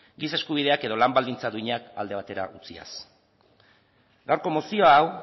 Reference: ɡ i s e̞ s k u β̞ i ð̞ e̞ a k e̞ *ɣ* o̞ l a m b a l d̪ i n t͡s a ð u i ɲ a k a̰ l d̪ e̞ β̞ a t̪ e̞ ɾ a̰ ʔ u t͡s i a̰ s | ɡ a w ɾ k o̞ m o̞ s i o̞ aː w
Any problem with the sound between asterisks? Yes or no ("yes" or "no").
yes